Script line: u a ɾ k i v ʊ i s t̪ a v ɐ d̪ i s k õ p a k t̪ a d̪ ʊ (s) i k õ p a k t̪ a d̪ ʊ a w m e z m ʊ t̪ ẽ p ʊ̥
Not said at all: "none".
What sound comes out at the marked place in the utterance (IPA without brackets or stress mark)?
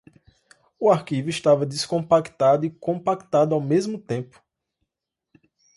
none